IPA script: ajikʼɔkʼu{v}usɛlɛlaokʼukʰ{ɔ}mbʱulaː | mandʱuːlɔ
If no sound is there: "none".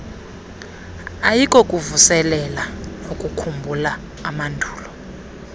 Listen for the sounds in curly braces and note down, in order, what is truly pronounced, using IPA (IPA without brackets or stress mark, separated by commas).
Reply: v, u